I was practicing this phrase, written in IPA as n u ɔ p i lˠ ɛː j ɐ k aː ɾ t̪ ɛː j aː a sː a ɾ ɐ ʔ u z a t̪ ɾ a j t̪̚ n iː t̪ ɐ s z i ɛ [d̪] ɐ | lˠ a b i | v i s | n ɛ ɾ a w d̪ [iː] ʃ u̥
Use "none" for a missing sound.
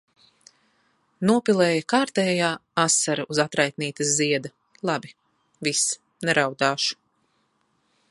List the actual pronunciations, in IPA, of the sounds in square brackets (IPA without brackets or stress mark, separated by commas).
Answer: d̪, aː